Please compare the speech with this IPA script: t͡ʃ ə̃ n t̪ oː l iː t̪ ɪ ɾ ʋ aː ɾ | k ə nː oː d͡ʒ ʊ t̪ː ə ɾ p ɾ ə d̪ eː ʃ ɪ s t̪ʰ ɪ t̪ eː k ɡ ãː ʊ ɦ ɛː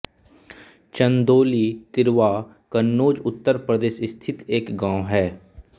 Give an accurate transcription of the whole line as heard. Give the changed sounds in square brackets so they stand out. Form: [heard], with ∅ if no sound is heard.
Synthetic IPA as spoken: t͡ʃ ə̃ n [d̪] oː l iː t̪ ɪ ɾ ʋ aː [∅] | k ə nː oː d͡ʒ ʊ t̪ː ə ɾ p ɾ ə d̪ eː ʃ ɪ s t̪ʰ ɪ t̪ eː k ɡ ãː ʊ ɦ ɛː